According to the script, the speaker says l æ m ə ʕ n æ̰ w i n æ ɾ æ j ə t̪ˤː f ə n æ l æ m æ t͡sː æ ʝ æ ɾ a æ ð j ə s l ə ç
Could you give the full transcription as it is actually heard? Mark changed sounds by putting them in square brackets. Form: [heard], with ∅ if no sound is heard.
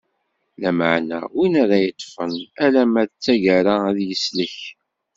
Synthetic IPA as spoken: l æ m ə ʕ n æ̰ w i n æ ɾ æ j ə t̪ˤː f ə n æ l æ m æ t͡sː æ ʝ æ ɾ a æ ð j ə s l ə ç